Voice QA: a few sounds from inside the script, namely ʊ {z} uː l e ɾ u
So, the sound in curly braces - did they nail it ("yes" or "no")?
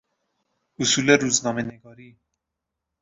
no